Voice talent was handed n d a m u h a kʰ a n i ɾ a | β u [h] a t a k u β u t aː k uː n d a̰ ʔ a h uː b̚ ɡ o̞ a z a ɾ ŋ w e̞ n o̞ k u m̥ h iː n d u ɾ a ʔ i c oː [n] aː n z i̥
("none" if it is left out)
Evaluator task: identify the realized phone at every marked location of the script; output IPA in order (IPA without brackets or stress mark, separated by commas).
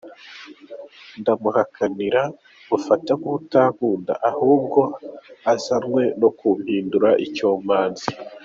f, m